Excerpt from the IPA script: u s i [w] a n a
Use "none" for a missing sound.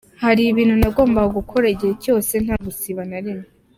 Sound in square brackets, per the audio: β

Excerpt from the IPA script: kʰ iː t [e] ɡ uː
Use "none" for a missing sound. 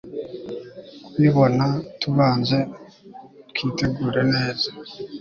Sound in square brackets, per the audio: e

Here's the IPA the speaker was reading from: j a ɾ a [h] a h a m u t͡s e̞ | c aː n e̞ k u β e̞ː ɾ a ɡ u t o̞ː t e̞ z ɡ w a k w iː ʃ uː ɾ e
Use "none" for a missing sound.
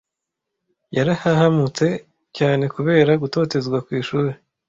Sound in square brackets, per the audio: h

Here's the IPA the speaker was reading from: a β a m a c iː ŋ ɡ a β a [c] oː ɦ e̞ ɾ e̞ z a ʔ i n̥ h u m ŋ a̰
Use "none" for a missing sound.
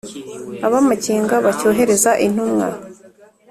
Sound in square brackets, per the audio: c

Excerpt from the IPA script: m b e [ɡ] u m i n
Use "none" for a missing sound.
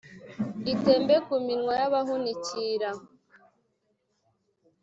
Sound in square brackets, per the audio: k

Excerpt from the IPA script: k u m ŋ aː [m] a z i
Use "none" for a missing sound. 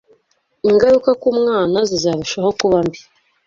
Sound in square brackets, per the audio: n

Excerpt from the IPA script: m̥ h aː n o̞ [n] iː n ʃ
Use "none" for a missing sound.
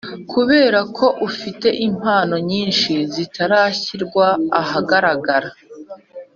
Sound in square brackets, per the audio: ɲ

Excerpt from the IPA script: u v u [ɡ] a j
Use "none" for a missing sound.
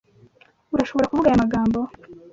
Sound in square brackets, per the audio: ɡ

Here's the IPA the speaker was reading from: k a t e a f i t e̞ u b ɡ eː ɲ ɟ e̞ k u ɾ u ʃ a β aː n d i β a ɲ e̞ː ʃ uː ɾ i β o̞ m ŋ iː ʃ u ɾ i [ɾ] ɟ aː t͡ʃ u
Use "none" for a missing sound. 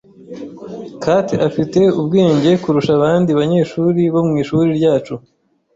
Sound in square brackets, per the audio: ɾ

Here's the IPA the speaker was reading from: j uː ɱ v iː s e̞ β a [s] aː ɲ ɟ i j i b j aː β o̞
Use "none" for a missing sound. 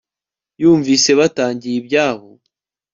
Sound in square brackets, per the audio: t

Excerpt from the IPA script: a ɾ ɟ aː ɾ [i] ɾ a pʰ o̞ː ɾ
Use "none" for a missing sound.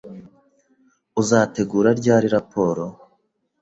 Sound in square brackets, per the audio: i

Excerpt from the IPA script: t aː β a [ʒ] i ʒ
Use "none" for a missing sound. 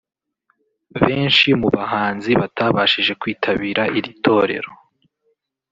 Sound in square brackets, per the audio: ʃ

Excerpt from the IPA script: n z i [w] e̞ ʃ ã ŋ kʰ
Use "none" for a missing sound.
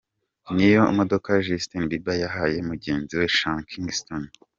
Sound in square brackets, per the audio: w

